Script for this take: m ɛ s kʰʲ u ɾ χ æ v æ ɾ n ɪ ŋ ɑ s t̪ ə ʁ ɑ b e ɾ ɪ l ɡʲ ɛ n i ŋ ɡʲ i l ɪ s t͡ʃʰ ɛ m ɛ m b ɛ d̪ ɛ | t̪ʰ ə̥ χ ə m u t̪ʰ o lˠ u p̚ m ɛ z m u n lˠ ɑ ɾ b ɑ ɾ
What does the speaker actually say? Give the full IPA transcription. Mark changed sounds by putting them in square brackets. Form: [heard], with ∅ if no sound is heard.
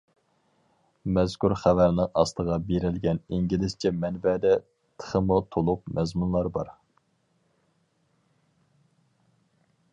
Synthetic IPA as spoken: m ɛ [z] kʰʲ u ɾ χ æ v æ ɾ n ɪ ŋ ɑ s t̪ ə ʁ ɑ b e ɾ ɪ l ɡʲ ɛ n i ŋ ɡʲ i l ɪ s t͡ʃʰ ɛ m ɛ [n] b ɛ d̪ ɛ | t̪ʰ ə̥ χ ə m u t̪ʰ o lˠ u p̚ m ɛ z m u n lˠ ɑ ɾ b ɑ ɾ